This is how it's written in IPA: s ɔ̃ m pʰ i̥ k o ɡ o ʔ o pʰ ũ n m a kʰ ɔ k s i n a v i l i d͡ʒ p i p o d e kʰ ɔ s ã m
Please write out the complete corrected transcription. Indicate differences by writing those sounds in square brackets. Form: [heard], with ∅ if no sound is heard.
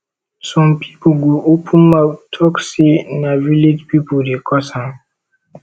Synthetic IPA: s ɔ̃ m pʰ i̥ [p] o ɡ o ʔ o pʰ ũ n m a [tʰ] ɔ k s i n a v i l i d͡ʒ p i p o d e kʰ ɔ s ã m